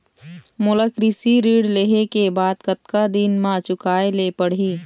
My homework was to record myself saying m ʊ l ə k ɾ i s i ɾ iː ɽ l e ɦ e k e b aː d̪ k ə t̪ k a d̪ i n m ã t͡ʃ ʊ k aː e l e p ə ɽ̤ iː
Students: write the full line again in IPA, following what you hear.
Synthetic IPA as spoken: m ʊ l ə k ɾ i s i ɾ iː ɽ l e ɦ e k e b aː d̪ k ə t̪ k a d̪ i n m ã t͡ʃ ʊ k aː e l e p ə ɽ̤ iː